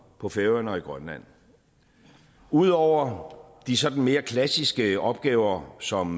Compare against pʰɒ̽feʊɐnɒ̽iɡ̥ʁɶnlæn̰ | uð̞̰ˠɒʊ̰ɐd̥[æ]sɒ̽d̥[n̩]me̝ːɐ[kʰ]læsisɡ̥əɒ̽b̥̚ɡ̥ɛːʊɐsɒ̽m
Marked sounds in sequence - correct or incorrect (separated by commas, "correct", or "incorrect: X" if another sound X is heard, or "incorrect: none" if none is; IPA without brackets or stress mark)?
incorrect: i, correct, correct